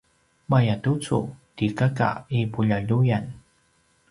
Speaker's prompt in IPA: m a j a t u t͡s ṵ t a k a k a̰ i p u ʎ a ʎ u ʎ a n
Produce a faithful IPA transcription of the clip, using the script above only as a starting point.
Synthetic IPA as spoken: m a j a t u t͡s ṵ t i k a k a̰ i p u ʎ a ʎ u j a n